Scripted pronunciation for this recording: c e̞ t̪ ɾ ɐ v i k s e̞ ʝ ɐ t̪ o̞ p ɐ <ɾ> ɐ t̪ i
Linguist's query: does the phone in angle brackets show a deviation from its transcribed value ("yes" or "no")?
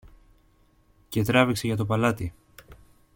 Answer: yes